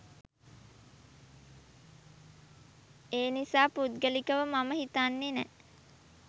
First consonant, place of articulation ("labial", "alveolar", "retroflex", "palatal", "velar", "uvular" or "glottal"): alveolar